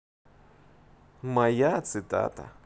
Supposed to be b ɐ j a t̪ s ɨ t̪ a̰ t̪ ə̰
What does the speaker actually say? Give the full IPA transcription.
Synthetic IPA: m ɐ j a t̪ s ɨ t̪ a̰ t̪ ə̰

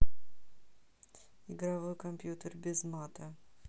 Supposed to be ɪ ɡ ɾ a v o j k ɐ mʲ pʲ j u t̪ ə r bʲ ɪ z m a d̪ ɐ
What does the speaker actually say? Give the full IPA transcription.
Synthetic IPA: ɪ ɡ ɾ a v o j k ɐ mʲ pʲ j u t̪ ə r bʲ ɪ z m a t̪ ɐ

